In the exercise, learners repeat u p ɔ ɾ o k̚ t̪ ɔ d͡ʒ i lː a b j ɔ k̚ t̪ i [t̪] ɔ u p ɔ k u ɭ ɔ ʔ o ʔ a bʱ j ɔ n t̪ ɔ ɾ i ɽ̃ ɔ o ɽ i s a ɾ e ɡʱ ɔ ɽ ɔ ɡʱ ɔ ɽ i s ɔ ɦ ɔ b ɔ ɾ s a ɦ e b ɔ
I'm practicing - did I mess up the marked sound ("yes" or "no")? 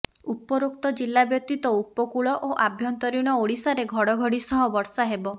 no